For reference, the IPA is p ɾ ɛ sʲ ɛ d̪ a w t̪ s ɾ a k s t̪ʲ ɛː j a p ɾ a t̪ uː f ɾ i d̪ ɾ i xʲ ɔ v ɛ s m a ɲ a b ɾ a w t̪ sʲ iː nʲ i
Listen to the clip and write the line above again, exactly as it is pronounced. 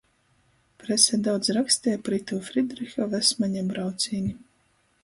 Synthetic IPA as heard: p ɾ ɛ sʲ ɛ d̪ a w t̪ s ɾ a k s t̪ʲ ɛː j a p ɾ i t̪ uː f ɾ i d̪ ɾ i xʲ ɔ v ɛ s m a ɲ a b ɾ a w t̪ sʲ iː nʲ i